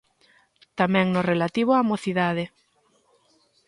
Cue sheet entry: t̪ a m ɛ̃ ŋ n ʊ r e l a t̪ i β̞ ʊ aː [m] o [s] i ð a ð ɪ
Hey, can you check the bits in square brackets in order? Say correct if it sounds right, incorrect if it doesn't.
correct, incorrect: θ

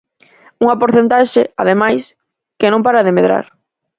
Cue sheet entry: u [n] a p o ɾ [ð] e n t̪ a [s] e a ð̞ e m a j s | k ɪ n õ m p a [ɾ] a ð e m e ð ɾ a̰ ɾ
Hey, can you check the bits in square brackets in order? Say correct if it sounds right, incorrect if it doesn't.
incorrect: ŋ, incorrect: θ, incorrect: ʃ, correct

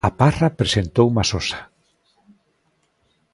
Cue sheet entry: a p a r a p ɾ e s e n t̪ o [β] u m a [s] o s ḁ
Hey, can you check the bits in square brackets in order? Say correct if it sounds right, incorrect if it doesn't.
incorrect: w, correct

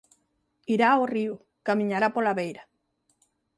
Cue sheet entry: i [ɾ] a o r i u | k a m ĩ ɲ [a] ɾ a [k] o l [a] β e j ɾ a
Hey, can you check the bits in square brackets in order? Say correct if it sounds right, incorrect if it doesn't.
correct, correct, incorrect: p, correct

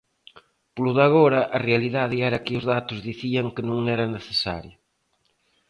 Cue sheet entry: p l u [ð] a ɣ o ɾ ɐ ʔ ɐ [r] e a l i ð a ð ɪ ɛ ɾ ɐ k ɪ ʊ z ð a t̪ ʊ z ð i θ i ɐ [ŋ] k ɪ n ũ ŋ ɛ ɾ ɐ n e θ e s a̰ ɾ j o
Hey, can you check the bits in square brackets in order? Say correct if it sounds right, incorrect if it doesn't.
correct, correct, correct

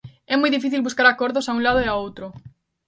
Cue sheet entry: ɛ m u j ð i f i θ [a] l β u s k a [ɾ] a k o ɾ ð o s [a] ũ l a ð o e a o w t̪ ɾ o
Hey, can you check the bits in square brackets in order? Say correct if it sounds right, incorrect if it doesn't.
incorrect: i, correct, correct

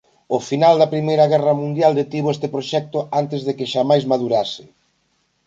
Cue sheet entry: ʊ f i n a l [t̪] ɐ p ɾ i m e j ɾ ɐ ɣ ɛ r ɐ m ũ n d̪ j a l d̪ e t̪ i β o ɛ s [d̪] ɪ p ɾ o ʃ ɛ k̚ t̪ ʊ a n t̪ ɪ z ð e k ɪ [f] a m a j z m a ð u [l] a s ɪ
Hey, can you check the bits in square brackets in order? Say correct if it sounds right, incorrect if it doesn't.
incorrect: d̪, incorrect: t̪, incorrect: ʃ, incorrect: ɾ

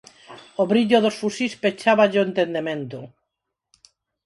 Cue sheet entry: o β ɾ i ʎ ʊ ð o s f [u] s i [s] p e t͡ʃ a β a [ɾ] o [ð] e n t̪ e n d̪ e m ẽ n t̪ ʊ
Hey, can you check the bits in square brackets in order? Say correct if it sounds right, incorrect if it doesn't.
correct, correct, incorrect: ʎ, incorrect: none

